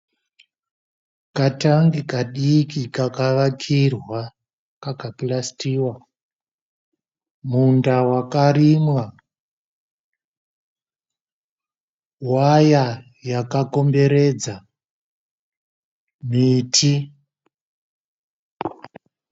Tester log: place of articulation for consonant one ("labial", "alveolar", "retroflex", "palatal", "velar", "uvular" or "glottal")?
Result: velar